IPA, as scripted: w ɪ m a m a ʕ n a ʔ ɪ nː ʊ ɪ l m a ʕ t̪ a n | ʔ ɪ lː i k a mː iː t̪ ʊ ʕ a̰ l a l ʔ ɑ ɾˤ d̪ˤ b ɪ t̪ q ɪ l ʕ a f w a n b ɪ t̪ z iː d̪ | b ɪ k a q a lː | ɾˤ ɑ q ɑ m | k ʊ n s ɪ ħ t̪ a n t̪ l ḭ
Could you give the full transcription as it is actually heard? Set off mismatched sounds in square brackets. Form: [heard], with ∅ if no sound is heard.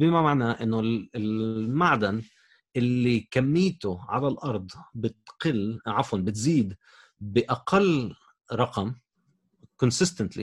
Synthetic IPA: [b] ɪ m a m a ʕ n a ʔ ɪ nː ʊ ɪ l m a ʕ [d̪] a n | ʔ ɪ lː i k a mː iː t̪ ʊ ʕ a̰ l a l ʔ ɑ ɾˤ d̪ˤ b ɪ t̪ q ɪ l ʕ a f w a n b ɪ t̪ z iː d̪ | b ɪ [ʔ] a q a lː | ɾˤ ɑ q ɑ m | k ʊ n s ɪ [s] t̪ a n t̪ l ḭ